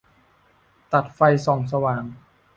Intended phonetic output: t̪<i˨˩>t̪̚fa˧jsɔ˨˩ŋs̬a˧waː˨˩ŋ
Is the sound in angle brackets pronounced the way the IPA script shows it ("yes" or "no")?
no